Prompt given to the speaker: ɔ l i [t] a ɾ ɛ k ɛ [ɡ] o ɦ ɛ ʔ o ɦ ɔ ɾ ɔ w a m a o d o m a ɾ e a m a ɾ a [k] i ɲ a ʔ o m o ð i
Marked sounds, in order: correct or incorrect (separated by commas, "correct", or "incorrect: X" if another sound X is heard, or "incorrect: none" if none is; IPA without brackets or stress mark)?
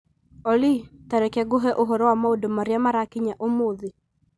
correct, correct, correct